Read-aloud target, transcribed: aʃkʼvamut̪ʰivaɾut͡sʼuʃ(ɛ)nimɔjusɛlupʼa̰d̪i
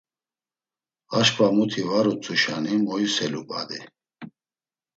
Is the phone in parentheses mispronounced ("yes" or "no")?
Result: yes